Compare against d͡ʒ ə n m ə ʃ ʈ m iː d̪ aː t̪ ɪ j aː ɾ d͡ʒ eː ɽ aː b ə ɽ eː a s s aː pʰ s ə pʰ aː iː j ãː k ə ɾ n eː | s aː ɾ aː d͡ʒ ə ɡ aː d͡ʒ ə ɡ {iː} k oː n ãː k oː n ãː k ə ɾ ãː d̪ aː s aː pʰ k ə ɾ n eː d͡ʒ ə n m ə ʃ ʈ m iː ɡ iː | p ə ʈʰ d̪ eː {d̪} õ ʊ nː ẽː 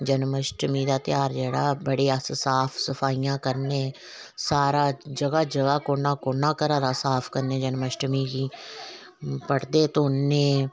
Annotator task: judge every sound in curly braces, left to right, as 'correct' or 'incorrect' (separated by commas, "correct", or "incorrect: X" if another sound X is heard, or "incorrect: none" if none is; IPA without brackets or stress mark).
incorrect: aː, incorrect: t̪